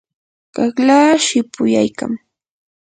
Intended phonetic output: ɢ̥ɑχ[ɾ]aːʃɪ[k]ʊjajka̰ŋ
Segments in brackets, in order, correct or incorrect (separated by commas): incorrect, incorrect